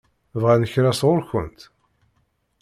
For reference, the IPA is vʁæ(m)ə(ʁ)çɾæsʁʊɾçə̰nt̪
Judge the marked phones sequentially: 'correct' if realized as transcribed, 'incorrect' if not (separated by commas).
incorrect, incorrect